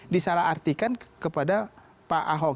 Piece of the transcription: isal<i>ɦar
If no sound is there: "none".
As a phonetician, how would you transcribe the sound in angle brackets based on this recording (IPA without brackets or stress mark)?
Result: a